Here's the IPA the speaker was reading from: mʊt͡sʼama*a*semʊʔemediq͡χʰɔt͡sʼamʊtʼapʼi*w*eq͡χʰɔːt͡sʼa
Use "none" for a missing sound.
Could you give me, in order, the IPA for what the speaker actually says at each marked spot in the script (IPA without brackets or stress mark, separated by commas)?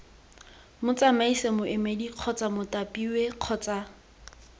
i, w